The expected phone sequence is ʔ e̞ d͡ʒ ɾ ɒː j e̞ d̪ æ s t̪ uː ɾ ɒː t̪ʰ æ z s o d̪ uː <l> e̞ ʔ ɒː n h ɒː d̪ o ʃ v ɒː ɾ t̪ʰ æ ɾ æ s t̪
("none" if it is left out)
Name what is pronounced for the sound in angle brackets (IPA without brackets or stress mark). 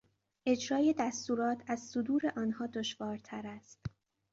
ɾ